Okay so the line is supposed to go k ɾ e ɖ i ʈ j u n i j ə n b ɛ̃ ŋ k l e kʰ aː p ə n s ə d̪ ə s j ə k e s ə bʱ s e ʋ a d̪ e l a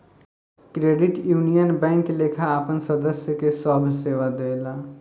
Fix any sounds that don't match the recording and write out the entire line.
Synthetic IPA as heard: k ɾ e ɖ i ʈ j u n i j ə n b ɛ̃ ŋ k l e kʰ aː p ə n s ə d̪ ə s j ə k e s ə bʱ s e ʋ a d̪ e l a